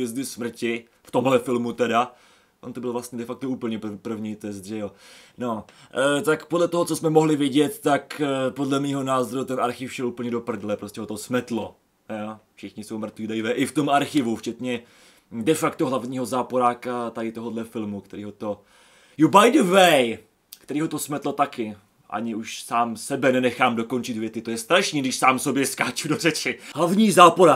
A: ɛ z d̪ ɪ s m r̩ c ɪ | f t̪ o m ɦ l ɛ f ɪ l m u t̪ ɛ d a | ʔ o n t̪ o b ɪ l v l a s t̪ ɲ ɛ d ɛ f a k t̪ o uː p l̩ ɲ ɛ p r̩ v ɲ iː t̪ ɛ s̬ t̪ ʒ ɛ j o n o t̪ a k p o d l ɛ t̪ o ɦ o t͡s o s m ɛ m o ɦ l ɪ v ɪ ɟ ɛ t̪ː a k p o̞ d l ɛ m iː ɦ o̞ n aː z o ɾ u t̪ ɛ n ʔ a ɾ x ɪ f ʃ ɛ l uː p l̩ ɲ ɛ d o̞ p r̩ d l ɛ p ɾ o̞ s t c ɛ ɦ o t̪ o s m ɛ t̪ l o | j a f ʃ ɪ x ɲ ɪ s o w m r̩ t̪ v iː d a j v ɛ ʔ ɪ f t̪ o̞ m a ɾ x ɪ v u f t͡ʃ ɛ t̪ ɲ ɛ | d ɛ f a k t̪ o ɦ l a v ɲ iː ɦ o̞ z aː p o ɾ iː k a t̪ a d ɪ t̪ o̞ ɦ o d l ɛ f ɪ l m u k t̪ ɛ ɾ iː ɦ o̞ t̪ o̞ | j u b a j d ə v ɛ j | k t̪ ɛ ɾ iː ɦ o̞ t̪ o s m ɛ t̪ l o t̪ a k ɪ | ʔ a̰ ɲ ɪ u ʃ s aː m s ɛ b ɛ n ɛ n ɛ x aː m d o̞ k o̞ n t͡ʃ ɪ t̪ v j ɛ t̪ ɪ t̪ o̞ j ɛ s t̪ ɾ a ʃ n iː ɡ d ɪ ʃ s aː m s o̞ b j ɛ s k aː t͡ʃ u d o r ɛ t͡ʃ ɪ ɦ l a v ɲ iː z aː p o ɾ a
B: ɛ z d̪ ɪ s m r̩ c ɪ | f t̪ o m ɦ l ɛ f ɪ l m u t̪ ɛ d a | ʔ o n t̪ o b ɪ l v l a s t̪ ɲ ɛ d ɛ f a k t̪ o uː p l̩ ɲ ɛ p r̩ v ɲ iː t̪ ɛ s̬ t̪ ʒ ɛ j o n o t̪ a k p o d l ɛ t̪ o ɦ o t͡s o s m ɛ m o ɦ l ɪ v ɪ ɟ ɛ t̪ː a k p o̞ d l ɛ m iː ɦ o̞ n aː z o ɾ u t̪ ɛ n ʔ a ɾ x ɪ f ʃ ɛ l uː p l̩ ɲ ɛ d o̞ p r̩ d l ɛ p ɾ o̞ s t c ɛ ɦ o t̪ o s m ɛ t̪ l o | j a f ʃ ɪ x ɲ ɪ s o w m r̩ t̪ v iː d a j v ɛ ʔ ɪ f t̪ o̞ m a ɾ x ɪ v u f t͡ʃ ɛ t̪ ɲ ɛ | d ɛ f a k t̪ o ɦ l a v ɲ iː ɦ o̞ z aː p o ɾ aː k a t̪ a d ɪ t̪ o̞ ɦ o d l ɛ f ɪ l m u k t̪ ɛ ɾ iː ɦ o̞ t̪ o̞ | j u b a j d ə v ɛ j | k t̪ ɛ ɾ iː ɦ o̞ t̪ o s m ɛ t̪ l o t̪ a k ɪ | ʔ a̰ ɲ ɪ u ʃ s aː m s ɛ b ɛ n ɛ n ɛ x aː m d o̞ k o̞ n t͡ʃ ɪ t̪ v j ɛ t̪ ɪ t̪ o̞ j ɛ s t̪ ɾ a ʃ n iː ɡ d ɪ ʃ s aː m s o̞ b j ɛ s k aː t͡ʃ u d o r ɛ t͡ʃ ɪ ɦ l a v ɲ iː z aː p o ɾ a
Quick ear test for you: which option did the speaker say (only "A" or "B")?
B